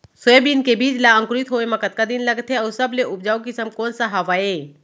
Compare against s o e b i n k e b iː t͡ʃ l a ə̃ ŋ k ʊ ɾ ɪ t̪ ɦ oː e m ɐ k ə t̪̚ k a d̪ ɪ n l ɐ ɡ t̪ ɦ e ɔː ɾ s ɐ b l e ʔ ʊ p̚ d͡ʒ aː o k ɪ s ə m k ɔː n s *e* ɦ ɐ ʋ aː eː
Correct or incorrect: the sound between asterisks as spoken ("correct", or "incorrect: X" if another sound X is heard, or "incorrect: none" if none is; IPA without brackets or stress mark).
incorrect: a